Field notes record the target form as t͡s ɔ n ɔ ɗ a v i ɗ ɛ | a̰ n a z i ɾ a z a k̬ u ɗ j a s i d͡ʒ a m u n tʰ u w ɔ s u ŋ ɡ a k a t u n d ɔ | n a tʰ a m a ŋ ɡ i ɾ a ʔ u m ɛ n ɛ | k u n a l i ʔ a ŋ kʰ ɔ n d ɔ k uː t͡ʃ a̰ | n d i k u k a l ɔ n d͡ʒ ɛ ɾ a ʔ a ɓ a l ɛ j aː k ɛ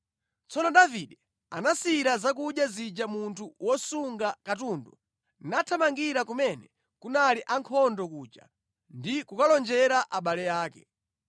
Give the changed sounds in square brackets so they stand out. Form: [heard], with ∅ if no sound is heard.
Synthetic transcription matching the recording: t͡s ɔ n ɔ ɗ a v i ɗ ɛ | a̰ n a [s] i ɾ a z a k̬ u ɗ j a [z] i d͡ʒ a m u n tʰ u w ɔ s u ŋ ɡ a k a t u n d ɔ | n a tʰ a m a ŋ ɡ i ɾ a [k] u m ɛ n ɛ | k u n a l i ʔ a ŋ kʰ ɔ n d ɔ k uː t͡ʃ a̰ | n d i k u k a l ɔ n d͡ʒ ɛ ɾ a ʔ a ɓ a l ɛ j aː k ɛ